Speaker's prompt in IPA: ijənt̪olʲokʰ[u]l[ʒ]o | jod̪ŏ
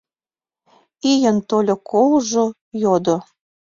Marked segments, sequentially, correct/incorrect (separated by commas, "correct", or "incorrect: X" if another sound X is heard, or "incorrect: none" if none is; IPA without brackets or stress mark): incorrect: o, correct